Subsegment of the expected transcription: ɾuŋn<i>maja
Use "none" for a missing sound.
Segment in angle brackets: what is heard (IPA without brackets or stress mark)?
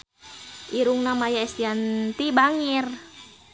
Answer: a